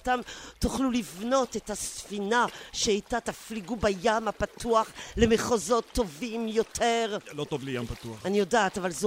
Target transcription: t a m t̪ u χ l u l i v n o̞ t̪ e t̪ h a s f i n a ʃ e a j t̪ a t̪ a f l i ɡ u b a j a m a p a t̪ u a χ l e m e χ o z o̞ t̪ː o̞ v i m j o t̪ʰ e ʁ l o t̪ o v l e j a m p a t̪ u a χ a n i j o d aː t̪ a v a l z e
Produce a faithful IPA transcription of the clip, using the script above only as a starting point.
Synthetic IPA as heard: t a m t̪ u χ l u l i v n o̞ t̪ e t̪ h a s f i n a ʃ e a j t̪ a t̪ a f l i ɡ u b a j a m a p a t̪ u a χ l e m e χ o z o̞ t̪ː o̞ v i m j o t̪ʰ e ʁ l o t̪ o v l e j a m p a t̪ u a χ a n i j o d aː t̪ a v a l z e